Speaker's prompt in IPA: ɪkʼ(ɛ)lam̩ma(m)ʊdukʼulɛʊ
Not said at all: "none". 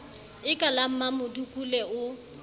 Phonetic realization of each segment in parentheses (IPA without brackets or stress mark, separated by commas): a, m